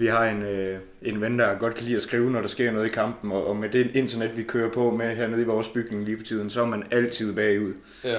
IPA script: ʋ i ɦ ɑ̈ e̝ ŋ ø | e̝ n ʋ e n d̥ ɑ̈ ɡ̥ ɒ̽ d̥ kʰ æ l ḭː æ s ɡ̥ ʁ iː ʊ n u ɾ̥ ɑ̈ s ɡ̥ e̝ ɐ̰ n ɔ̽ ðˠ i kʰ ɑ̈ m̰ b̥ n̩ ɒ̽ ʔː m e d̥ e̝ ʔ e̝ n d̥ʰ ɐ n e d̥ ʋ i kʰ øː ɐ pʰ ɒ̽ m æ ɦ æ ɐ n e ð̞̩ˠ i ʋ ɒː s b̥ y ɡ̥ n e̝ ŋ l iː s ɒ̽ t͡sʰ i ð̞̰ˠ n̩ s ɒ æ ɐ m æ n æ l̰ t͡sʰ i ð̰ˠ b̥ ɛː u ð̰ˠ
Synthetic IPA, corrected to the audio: ʋ i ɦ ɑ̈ e̝ n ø | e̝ n ʋ e n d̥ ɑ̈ ɡ̥ ɒ̽ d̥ kʰ æ l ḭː æ s ɡ̥ ʁ iː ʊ n ɒ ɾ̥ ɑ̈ s ɡ̥ e̝ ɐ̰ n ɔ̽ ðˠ i kʰ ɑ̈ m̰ b̥ n̩ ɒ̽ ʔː m e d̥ e̝ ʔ e̝ n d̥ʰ ɐ n e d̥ ʋ i kʰ øː ɐ pʰ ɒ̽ m e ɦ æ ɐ n e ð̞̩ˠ i ʋ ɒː s b̥ y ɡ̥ n e̝ ŋ l iː f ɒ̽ t͡sʰ i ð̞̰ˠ n̩ s ɒ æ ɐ m æ n æ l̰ t͡sʰ i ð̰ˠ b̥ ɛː u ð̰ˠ